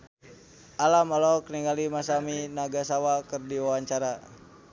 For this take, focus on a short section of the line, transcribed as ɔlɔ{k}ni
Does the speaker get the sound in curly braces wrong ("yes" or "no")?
no